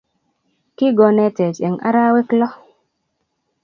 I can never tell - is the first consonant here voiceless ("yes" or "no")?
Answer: yes